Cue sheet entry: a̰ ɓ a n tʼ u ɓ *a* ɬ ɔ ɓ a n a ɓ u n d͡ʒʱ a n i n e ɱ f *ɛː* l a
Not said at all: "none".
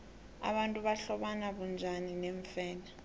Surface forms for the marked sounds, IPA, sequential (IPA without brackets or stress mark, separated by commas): a, ɛː